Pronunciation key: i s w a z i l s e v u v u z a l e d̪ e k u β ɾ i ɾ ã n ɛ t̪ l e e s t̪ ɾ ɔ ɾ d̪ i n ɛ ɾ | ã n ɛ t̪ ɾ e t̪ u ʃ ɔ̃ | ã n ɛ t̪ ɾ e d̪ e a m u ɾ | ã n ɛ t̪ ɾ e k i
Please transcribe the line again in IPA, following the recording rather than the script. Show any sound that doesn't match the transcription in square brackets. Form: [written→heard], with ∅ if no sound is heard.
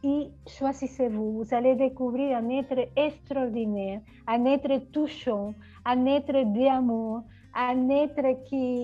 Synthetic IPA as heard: i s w a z i [l→∅] s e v u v u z a l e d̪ e k u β ɾ i ɾ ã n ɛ t̪ [l→ɾ] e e s t̪ ɾ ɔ ɾ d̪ i n ɛ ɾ | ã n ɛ t̪ ɾ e t̪ u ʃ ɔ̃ | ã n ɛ t̪ ɾ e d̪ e a m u ɾ | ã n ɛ t̪ ɾ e k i